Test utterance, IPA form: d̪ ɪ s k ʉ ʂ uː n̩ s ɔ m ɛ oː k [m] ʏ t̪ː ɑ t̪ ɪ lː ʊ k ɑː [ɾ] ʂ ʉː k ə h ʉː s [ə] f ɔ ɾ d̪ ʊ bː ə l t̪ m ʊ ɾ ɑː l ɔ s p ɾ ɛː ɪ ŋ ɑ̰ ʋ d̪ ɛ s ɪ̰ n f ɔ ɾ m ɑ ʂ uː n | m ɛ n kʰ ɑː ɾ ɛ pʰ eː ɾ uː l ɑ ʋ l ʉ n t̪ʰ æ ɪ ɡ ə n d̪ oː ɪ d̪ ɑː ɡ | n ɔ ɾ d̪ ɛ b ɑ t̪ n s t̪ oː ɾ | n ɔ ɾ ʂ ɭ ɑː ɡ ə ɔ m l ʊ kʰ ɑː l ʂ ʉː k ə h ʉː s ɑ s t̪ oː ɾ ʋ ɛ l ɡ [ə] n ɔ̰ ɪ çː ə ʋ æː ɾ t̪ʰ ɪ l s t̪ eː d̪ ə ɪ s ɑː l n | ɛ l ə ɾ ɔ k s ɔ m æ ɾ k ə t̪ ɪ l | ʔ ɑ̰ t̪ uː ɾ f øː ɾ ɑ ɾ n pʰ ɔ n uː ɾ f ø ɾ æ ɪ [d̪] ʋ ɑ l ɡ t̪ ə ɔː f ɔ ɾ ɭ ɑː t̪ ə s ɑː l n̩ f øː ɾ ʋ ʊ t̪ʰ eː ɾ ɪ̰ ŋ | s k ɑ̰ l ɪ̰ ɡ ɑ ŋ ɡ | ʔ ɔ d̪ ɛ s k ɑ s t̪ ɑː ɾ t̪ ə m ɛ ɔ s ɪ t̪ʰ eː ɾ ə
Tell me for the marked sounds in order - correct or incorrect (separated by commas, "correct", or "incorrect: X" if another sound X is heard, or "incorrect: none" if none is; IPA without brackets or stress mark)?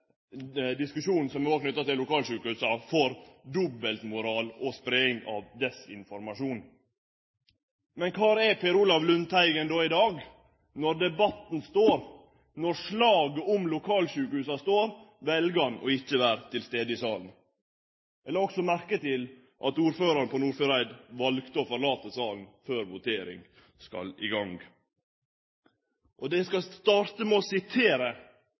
incorrect: n, incorrect: l, incorrect: ɑ, incorrect: ɑ, correct